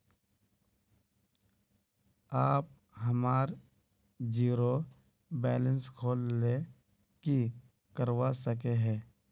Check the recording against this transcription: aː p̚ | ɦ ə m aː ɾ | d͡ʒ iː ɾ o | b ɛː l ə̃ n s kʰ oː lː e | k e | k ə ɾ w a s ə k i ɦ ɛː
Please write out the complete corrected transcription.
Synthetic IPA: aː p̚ | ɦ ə m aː ɾ | d͡ʒ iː ɾ o | b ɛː l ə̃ n s kʰ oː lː e | k i | k ə ɾ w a s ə k e ɦ ɛː